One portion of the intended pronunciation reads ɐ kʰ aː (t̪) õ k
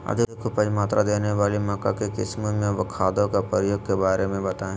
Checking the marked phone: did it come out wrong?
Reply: yes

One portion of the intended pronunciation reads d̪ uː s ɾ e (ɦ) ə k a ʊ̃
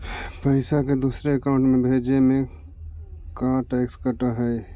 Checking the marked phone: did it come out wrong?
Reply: yes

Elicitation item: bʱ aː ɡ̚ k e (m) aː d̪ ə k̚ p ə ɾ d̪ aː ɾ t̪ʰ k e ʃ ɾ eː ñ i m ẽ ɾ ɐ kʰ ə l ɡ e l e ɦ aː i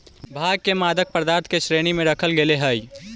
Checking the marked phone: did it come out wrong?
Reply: no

